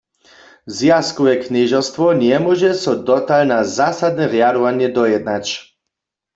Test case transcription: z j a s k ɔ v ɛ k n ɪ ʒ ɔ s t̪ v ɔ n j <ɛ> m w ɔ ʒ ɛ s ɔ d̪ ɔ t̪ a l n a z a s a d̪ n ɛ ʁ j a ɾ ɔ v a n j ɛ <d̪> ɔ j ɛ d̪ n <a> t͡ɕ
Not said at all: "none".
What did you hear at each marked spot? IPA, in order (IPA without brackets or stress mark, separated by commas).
ɛ, d̪, a